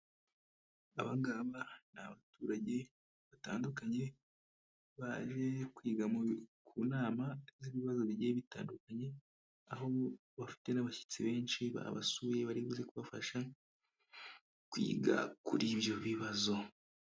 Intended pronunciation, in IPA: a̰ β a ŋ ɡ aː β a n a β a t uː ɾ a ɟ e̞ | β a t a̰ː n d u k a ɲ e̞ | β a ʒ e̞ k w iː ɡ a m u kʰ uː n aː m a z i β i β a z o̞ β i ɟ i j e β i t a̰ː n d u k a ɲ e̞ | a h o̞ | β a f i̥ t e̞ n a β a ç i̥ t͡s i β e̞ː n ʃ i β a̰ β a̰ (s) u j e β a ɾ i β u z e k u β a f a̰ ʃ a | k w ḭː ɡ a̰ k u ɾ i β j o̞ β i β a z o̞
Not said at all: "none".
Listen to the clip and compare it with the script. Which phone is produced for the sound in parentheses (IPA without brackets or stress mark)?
s